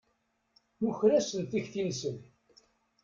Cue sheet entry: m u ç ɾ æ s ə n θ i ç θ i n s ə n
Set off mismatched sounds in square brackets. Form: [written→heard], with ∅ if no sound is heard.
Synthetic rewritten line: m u ç ɾ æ s ə n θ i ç θ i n s ə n